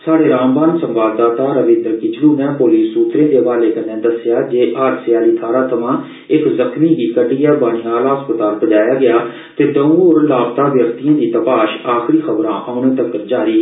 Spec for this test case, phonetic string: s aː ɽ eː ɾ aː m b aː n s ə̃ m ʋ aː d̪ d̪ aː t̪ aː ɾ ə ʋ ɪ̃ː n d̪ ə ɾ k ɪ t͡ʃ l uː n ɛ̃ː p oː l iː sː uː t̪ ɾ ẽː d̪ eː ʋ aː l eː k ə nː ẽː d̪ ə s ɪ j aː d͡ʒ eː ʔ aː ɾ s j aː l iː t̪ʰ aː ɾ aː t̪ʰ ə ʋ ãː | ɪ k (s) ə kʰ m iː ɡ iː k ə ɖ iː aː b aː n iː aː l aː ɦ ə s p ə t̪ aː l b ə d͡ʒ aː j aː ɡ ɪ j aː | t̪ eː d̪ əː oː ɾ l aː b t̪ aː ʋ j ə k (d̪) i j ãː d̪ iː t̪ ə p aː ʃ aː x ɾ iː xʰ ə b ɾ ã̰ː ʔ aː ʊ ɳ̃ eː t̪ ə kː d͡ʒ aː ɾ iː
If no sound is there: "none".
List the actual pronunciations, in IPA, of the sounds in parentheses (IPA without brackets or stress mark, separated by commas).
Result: z, t̪